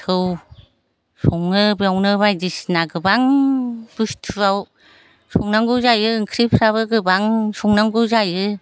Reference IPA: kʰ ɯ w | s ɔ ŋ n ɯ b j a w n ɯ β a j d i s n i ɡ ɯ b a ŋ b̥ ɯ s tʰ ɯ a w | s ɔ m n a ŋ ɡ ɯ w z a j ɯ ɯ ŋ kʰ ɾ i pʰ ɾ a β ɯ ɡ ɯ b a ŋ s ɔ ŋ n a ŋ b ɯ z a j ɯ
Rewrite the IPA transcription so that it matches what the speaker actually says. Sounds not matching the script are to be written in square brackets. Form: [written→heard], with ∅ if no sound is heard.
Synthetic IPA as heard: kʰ ɯ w | s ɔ ŋ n ɯ b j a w n ɯ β a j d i s n [i→a] ɡ ɯ b a ŋ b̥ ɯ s tʰ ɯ a w | s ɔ [m→ŋ] n a ŋ ɡ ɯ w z a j ɯ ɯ ŋ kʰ ɾ i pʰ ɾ a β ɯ ɡ ɯ b a ŋ s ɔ ŋ n a ŋ [b→ɡ] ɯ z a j ɯ